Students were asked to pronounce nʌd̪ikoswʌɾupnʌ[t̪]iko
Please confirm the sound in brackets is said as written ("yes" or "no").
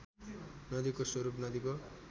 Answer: no